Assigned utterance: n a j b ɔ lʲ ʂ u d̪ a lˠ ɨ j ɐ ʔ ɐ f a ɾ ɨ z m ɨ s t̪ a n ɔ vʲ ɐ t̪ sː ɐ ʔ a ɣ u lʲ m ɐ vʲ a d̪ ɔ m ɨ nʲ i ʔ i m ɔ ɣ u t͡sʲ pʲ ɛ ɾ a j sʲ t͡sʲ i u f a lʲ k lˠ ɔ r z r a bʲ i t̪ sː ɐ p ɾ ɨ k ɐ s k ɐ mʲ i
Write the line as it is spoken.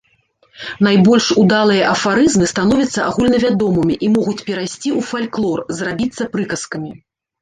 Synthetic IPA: n a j b ɔ lʲ ʂ u d̪ a lˠ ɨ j ɐ ʔ ɐ f a ɾ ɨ z m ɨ s t̪ a n ɔ vʲ ɐ t̪ sː ɐ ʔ a ɣ u lʲ n ɐ vʲ a d̪ ɔ m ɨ mʲ i ʔ i m ɔ ɣ u t͡sʲ pʲ ɛ ɾ a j sʲ t͡sʲ i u f a lʲ k lˠ ɔ r z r a bʲ i t̪ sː ɐ p ɾ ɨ k ɐ s k ɐ mʲ i